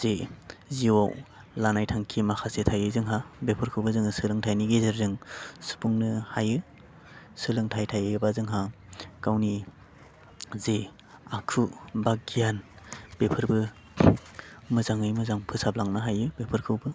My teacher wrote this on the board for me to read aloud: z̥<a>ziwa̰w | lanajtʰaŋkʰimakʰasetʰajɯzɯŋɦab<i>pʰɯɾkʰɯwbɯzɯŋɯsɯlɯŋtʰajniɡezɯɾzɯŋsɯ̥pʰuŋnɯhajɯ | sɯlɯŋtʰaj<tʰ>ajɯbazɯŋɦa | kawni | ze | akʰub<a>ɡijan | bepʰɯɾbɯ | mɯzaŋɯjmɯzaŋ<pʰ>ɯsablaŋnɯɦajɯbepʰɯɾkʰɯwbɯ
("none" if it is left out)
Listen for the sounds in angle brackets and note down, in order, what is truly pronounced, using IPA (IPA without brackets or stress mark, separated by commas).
e, e, tʰ, a, pʰ